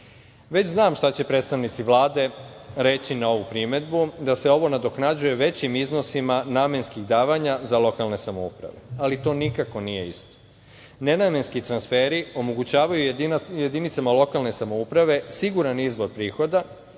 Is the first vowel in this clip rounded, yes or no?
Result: no